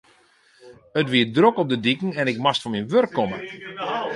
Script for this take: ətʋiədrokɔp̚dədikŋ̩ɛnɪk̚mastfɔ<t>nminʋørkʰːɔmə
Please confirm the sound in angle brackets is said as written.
no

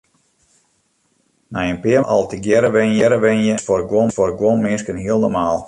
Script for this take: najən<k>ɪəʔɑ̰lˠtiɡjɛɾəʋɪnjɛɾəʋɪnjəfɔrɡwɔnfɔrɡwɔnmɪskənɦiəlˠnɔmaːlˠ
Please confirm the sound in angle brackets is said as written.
no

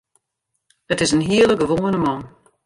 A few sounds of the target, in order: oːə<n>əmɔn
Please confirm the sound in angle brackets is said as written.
yes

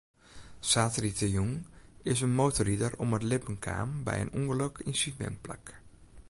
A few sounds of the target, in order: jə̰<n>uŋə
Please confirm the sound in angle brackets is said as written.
yes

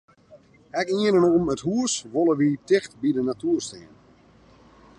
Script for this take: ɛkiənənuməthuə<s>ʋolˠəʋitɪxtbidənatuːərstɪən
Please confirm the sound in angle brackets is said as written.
yes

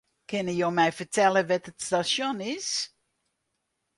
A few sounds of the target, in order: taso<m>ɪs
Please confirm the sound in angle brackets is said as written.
no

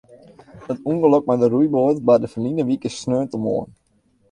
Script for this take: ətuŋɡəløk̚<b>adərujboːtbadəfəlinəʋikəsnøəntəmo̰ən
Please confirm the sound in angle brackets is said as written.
no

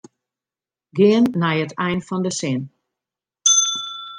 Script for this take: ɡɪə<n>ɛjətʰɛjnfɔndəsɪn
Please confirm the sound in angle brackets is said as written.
no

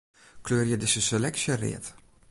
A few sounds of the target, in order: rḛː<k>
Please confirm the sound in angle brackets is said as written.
no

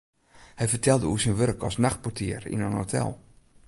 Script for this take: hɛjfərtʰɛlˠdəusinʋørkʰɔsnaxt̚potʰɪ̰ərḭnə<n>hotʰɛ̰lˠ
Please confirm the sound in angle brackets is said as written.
yes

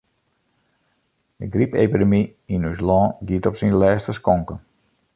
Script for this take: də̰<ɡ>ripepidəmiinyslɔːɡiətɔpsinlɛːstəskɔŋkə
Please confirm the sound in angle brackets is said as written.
yes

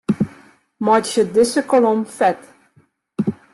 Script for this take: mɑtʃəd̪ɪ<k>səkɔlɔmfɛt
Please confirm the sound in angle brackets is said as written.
no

